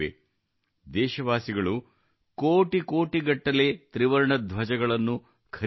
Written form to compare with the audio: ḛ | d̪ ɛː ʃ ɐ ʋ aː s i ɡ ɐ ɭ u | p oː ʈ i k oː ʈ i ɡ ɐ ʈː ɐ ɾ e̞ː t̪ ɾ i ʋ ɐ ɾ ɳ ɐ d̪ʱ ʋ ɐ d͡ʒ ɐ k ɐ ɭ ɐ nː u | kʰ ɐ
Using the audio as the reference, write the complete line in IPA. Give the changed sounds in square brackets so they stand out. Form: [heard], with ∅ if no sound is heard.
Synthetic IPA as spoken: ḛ | d̪ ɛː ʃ ɐ ʋ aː s i ɡ ɐ ɭ u | [k] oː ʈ i k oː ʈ i ɡ ɐ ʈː ɐ [l] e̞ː t̪ ɾ i ʋ ɐ ɾ ɳ ɐ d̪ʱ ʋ ɐ d͡ʒ ɐ [ɡ] ɐ ɭ ɐ nː u | kʰ ɐ